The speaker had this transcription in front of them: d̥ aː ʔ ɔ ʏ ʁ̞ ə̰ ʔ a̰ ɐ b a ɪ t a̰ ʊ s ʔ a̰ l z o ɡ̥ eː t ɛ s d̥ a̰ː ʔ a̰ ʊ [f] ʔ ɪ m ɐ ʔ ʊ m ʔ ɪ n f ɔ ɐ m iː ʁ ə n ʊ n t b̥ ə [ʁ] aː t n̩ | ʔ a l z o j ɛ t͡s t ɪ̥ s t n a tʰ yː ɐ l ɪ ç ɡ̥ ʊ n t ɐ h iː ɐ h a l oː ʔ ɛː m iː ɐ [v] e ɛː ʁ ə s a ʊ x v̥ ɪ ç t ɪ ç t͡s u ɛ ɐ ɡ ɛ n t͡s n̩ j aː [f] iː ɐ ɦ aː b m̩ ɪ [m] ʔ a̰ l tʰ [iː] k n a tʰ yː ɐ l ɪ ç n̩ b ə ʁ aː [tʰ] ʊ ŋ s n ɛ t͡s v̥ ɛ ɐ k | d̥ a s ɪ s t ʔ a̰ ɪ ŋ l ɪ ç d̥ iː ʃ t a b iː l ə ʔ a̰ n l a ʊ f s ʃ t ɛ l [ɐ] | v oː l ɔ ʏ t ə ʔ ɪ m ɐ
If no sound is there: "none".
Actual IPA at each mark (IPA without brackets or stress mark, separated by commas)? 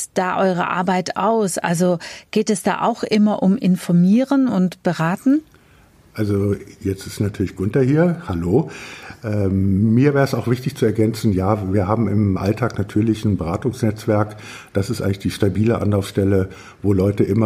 x, ʁ, v, v, m, aː, t, ə